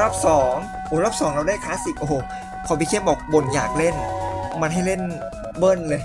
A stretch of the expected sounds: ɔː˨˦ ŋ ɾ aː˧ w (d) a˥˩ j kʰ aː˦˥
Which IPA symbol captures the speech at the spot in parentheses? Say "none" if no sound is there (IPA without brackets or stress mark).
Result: d